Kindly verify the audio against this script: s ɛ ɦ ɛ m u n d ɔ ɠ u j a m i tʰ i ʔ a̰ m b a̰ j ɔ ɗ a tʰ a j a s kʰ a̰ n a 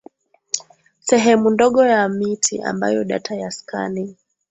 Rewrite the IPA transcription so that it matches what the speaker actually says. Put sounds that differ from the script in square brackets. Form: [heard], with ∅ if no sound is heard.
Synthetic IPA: s ɛ ɦ ɛ m u n d ɔ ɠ [ɔ] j a m i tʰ i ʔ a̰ m b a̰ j ɔ ɗ a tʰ a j a s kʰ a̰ n [i]